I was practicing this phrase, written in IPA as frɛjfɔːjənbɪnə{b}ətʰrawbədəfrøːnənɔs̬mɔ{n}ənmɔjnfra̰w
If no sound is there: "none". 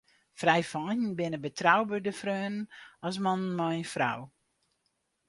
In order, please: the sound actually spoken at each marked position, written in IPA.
b, n

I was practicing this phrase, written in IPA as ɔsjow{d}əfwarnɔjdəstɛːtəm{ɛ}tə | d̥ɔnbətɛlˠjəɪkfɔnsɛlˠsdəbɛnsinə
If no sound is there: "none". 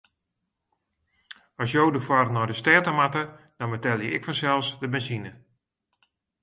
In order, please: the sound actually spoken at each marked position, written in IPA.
d, a

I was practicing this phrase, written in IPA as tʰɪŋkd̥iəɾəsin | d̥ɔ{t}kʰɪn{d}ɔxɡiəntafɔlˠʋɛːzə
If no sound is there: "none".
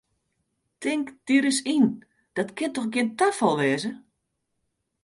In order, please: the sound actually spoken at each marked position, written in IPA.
t, t

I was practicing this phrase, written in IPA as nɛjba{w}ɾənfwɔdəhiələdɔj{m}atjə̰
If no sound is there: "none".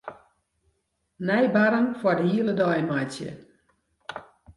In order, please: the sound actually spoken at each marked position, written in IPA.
none, m

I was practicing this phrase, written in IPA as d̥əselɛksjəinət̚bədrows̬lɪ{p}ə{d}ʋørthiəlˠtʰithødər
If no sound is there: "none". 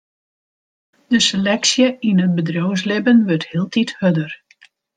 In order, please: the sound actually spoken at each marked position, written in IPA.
b, n

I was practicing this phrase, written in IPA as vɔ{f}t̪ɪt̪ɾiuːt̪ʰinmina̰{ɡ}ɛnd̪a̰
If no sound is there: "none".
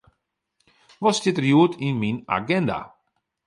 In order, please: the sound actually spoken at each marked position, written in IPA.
s, ɡ

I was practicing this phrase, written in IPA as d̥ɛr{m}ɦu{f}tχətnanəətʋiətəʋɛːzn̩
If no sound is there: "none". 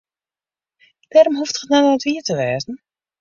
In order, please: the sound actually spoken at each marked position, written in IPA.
m, f

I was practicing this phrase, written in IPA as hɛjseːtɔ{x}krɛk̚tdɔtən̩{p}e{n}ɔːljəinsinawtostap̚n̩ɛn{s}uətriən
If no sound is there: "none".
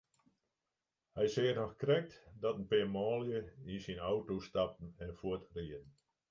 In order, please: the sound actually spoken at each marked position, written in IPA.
x, p, m, f

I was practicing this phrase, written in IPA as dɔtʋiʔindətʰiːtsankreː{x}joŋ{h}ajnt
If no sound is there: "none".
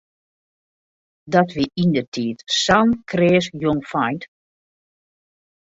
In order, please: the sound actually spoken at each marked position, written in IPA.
s, f

